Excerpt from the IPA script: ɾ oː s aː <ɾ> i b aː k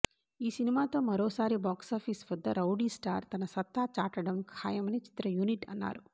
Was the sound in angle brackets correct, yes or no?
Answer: yes